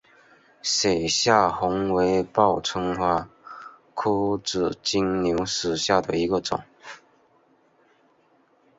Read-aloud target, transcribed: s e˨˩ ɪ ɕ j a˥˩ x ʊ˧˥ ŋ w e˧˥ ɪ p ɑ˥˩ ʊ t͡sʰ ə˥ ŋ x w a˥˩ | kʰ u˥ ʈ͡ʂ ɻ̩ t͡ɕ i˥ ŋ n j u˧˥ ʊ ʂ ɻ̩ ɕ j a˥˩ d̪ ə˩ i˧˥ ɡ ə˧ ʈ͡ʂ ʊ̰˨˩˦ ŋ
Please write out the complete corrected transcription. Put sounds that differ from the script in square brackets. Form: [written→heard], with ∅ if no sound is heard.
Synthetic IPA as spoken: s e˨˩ ɪ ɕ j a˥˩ x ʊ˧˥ ŋ w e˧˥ ɪ p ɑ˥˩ ʊ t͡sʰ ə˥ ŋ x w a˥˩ | kʰ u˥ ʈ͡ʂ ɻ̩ t͡ɕ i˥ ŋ n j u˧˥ ʊ ʂ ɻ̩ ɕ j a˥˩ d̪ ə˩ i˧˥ ɡ ə˧ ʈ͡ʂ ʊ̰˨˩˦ ŋ